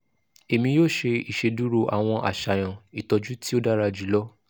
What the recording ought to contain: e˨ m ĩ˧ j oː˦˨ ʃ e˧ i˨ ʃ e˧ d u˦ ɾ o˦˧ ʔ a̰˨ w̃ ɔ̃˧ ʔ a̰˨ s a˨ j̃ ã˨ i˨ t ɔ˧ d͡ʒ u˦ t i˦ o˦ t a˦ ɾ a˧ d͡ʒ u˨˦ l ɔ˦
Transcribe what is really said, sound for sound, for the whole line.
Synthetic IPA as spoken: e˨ m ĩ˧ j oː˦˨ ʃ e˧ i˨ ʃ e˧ d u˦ ɾ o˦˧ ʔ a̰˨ w̃ ɔ̃˧ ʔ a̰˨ ʃ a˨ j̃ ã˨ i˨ t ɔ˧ d͡ʒ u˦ t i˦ o˦ d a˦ ɾ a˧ d͡ʒ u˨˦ l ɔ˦